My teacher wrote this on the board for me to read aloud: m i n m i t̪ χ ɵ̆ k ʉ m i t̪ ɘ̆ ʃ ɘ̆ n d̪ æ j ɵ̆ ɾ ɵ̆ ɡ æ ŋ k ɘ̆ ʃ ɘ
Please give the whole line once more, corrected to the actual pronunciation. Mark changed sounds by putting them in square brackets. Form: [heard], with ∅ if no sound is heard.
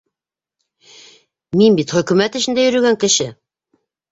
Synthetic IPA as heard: m i n [b] i t̪ χ ɵ̆ k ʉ m [æ] t̪ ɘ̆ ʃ ɘ̆ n d̪ æ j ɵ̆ ɾ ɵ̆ ɡ æ ŋ k ɘ̆ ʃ ɘ